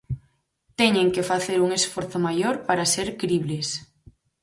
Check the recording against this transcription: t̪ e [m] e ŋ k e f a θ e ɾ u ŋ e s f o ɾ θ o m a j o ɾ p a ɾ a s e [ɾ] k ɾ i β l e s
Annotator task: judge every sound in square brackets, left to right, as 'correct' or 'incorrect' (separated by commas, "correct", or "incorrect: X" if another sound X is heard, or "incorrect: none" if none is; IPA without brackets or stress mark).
incorrect: ɲ, correct